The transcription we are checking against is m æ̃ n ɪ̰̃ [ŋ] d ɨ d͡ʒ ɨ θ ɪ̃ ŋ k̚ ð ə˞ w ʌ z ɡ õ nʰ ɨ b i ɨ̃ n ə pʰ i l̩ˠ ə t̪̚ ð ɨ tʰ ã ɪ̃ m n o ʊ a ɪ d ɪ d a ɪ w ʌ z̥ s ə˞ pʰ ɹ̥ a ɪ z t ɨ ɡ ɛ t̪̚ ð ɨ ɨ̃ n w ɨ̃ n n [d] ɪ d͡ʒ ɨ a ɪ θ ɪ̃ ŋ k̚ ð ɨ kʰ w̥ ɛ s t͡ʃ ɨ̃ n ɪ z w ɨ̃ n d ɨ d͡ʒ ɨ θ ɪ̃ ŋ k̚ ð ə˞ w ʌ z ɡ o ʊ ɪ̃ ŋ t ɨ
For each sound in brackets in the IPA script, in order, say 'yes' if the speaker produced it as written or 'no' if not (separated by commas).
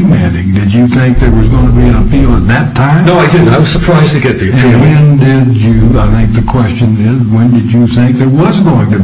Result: yes, yes